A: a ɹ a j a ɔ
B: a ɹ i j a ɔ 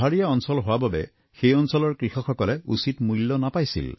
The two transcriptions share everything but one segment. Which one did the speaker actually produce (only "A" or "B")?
B